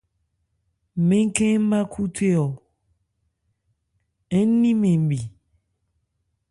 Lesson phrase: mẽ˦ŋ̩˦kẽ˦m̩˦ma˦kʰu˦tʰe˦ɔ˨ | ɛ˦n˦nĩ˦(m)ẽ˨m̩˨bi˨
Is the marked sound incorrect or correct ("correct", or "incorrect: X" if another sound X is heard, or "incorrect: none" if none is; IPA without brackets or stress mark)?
correct